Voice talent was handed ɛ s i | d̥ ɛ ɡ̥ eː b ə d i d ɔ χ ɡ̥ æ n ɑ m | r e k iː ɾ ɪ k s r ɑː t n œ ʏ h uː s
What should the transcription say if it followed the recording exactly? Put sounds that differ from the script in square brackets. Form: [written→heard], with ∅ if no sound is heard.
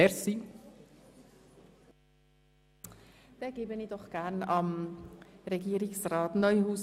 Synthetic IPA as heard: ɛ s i | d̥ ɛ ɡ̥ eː b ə [d→n] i d ɔ χ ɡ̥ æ n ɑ m | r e [k→ɡ] iː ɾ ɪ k s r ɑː t n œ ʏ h uː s